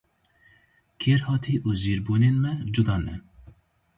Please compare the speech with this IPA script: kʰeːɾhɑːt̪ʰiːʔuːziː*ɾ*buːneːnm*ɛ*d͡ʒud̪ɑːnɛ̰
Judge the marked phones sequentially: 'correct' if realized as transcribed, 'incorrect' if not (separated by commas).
correct, correct